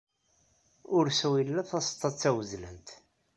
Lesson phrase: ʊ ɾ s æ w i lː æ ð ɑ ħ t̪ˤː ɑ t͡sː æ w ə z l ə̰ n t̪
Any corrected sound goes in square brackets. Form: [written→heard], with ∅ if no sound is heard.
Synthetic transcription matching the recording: ʊ ɾ s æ w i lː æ [ð→θ] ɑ [ħ→s] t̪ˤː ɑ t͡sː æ w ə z l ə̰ n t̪